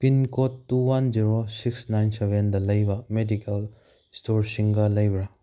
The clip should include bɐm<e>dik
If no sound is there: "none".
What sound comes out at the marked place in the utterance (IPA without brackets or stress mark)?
e